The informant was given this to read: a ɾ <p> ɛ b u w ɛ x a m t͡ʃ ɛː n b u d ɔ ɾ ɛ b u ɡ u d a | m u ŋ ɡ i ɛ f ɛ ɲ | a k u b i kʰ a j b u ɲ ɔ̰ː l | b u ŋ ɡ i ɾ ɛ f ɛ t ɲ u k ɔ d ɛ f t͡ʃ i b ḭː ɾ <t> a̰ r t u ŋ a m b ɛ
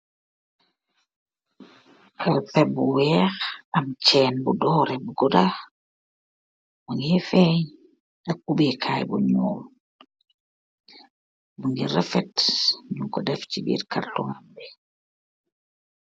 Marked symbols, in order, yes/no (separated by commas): yes, no